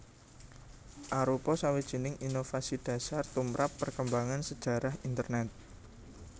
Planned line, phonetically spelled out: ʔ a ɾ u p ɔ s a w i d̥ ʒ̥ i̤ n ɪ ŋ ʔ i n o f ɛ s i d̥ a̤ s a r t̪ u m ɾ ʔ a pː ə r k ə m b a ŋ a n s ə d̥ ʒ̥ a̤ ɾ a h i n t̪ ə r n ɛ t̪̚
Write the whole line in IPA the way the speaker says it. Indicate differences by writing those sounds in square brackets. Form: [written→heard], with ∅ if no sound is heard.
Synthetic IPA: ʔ a ɾ u p ɔ s a w i d̥ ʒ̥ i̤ n ɪ ŋ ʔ i n o f [ɛ→a] s i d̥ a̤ s a r t̪ u m ɾ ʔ a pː ə r k ə m b a ŋ a n s ə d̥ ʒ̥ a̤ ɾ a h i n t̪ ə r n ɛ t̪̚